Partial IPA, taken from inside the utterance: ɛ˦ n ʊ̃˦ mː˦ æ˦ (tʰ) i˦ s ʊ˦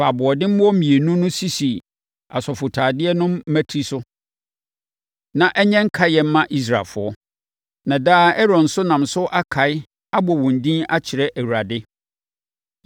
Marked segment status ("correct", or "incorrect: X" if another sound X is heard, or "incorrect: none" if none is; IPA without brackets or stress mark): correct